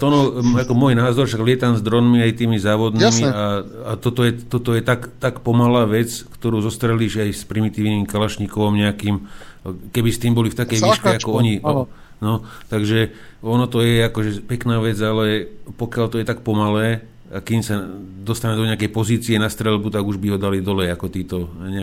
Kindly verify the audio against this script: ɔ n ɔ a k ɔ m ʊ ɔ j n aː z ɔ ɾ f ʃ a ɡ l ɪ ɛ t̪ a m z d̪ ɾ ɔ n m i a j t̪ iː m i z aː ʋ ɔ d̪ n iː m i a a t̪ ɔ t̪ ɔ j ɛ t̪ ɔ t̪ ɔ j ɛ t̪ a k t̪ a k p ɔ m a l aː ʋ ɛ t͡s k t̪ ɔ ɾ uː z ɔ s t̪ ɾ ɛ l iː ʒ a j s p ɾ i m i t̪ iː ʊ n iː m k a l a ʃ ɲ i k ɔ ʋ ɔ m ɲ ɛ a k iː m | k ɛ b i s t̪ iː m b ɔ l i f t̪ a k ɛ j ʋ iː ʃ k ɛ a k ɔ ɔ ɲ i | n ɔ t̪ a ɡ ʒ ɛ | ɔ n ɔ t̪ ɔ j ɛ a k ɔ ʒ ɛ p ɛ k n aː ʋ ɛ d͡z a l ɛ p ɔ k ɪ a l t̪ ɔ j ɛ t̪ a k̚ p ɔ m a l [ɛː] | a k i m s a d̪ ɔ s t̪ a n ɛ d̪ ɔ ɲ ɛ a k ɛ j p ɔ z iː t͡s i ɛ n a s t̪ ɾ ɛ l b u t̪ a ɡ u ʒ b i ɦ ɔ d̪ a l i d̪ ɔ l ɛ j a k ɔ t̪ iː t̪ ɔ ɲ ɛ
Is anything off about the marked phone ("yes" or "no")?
no